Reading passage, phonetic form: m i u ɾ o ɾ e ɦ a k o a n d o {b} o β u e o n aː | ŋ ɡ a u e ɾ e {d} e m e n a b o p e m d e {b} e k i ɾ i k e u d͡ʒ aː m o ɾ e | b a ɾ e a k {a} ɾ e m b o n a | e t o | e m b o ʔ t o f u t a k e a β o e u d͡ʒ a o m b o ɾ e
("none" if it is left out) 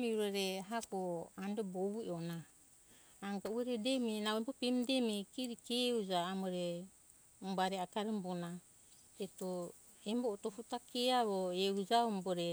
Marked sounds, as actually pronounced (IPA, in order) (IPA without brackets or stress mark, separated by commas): b, d, m, a